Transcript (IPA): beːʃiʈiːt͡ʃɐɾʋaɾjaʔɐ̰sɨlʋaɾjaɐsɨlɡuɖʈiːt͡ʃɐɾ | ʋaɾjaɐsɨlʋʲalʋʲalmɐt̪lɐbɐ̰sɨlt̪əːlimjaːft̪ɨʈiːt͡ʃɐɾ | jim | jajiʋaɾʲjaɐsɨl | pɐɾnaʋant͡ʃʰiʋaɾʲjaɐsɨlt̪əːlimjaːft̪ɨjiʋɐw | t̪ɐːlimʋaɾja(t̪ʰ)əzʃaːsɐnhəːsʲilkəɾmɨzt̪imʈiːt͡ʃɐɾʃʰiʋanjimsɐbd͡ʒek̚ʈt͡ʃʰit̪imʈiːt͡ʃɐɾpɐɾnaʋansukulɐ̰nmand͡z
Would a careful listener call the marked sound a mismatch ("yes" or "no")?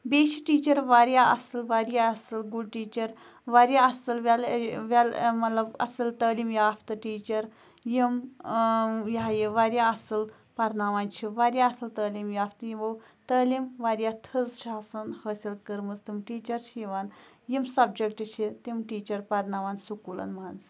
no